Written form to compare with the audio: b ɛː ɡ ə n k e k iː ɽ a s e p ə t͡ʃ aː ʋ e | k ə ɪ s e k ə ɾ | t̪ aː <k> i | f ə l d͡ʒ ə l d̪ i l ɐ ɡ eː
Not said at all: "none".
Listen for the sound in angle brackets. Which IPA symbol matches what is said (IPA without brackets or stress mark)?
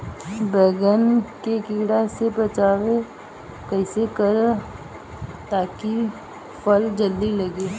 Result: k